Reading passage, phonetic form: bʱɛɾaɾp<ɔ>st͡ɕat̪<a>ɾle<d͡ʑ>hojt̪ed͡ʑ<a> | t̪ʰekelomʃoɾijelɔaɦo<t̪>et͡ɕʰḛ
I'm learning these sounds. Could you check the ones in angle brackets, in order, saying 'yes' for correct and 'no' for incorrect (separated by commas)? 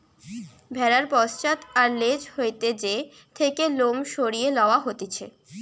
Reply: yes, yes, yes, no, yes